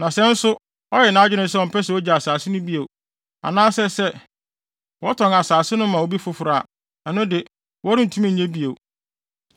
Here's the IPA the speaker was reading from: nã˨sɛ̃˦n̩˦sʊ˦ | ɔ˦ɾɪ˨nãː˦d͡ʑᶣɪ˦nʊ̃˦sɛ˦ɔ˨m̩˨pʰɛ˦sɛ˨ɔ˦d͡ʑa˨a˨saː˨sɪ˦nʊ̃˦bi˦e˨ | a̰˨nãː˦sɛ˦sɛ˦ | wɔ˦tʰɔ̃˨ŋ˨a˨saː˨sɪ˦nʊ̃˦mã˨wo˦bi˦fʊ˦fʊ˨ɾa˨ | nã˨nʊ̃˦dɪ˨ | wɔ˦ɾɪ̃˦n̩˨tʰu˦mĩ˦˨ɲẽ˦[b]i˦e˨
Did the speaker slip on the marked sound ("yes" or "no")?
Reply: no